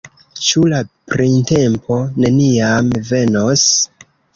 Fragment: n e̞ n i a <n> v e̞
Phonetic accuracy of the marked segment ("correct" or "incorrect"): incorrect